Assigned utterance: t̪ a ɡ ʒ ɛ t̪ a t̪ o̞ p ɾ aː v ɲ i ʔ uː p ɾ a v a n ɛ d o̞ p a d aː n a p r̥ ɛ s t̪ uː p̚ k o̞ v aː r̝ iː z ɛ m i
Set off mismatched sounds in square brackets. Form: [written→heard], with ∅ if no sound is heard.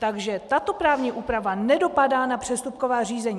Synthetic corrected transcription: t̪ a ɡ ʒ ɛ t̪ a t̪ o̞ p ɾ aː v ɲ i ʔ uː p ɾ a v a n ɛ d o̞ p a d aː n a p r̥ ɛ s t̪ [uː→u] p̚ k o̞ v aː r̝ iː z ɛ [m→ɲ] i